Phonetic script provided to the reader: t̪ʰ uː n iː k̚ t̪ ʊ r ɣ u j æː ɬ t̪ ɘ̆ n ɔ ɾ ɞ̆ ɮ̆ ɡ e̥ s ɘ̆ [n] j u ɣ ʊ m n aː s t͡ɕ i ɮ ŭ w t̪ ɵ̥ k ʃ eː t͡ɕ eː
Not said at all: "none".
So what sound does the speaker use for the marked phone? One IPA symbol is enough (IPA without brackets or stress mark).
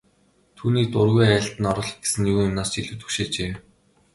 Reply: n